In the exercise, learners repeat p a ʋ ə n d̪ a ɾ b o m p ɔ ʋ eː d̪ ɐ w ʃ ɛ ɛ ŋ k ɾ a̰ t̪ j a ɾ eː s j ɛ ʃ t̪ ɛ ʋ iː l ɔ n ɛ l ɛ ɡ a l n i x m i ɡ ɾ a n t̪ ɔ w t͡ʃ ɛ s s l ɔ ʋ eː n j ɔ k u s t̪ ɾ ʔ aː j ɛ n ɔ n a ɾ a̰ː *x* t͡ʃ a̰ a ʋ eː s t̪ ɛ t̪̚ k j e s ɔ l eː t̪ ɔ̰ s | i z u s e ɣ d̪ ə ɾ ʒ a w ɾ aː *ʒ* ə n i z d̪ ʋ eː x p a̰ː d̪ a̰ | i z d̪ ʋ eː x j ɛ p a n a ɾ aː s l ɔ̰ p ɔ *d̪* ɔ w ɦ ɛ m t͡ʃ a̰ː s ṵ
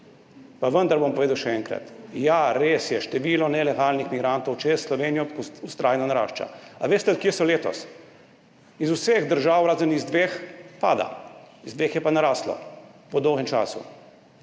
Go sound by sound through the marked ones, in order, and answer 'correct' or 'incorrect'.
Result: incorrect: ʃ, incorrect: z, correct

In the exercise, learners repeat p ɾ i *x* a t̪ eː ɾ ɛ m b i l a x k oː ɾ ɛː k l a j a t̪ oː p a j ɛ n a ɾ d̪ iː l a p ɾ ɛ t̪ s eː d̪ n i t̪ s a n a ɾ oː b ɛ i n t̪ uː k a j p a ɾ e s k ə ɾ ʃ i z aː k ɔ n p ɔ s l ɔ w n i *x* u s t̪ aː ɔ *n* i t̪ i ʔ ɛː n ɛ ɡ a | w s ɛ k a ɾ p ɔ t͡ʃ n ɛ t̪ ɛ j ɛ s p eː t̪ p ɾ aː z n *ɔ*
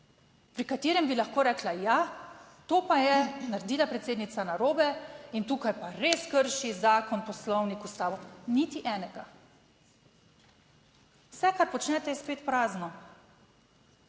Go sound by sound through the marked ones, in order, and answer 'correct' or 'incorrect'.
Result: incorrect: k, incorrect: k, correct, correct

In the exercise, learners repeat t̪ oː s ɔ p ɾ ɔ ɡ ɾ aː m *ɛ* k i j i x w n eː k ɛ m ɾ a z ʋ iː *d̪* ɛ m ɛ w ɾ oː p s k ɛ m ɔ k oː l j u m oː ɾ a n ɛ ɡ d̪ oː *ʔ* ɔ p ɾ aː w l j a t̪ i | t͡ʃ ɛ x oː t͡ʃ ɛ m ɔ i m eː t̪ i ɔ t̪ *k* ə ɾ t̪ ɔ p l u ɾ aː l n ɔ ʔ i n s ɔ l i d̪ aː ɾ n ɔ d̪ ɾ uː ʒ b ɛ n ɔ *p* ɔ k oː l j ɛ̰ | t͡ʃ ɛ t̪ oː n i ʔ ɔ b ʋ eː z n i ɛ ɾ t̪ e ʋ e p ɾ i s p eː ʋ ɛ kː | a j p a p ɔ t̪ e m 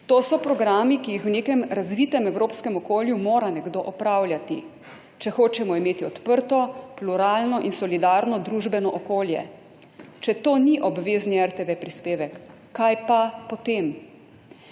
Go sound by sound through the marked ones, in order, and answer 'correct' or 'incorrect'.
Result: incorrect: i, incorrect: t̪, correct, incorrect: p, incorrect: ʔ

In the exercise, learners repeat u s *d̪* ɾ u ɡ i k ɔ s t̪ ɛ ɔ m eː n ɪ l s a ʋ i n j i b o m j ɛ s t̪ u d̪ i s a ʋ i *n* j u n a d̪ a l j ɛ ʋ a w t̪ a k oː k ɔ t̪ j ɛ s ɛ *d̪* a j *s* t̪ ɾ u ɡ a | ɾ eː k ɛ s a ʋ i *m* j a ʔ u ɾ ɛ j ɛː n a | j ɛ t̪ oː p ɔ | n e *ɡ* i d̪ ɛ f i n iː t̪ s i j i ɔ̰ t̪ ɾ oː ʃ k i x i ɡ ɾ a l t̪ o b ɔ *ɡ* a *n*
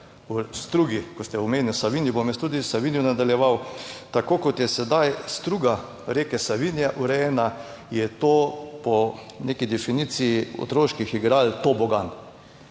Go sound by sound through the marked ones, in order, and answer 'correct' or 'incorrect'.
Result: incorrect: t̪, correct, correct, correct, incorrect: n, incorrect: k, correct, correct

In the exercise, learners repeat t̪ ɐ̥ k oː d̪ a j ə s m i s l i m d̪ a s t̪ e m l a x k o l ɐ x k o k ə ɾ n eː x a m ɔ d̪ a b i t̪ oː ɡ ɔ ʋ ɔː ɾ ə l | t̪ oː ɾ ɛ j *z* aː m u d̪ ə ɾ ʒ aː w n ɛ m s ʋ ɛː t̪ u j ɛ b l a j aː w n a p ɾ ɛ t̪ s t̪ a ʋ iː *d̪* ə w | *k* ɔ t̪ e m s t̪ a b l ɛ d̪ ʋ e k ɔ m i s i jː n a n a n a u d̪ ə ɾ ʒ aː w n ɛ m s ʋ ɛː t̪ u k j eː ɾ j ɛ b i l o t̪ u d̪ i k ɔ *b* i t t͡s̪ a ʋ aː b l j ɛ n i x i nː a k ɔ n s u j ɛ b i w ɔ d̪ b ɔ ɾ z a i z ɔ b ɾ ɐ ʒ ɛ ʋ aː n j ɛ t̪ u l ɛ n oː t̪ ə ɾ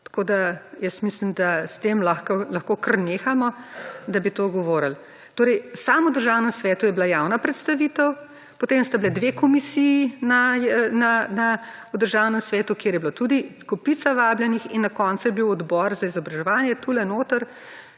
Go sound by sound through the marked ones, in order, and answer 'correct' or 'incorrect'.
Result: incorrect: s, incorrect: t̪, incorrect: p, incorrect: p

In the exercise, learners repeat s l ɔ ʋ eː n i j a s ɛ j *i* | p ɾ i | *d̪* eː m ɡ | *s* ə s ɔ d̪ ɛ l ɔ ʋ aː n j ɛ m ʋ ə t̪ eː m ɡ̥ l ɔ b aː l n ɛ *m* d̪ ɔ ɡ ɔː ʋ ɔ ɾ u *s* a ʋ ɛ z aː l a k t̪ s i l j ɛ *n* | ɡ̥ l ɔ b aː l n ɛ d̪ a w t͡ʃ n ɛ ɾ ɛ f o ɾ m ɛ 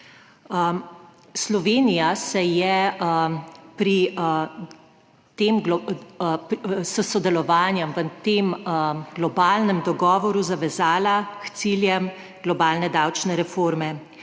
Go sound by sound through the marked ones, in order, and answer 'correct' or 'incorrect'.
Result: incorrect: ɛ, incorrect: t̪, correct, correct, incorrect: z, incorrect: m

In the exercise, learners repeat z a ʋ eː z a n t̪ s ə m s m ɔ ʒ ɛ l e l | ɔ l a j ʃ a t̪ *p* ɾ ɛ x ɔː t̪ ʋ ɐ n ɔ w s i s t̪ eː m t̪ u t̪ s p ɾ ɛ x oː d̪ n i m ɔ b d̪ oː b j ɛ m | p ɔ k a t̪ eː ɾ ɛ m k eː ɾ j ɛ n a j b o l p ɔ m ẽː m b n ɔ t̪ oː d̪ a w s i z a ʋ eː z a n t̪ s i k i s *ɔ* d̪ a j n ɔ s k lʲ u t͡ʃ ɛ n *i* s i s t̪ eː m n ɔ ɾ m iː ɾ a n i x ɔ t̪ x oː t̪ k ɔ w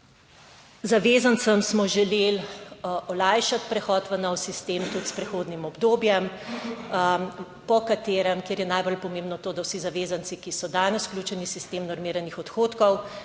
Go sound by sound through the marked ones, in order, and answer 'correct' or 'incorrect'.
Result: correct, correct, correct

